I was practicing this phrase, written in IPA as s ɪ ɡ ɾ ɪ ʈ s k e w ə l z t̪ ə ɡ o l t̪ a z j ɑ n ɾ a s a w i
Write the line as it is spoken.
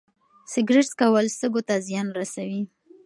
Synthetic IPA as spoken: s ɪ ɡ ɾ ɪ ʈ s k a w ə l s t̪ ə ɡ o t̪ a z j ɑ n ɾ a s a w i